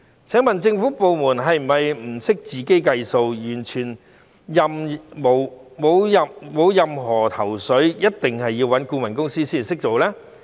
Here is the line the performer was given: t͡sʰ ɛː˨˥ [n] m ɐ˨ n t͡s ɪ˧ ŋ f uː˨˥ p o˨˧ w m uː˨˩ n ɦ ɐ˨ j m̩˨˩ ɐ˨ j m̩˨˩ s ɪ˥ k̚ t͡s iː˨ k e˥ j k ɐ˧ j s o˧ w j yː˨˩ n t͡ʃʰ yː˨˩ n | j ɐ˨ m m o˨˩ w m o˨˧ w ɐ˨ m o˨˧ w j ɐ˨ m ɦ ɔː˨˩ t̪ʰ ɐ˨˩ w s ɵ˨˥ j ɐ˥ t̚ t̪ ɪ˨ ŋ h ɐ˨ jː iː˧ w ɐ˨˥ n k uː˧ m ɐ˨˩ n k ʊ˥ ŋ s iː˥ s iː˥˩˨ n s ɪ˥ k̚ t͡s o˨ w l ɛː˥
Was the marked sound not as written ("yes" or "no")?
yes